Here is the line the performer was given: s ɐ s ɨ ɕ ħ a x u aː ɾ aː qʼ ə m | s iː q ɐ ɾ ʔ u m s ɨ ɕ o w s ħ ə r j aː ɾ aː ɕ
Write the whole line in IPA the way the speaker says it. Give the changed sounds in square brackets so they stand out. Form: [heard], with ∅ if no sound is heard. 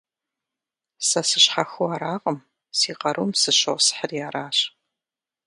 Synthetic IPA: s ɐ s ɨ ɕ ħ a x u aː ɾ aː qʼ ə m | s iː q ɐ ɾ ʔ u m s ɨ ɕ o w s ħ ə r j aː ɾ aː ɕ